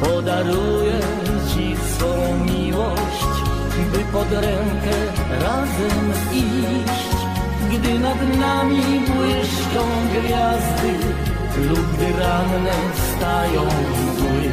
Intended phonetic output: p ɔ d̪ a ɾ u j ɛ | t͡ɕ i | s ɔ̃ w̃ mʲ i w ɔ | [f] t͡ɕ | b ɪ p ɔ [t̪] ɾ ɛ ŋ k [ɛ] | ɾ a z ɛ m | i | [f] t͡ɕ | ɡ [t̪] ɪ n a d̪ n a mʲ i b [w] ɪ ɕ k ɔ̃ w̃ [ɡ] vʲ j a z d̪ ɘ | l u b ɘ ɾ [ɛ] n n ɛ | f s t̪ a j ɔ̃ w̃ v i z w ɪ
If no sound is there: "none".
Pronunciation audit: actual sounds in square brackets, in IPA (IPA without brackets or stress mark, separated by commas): ɕ, d̪, ɛ, ɕ, d̪, w, ɡ, a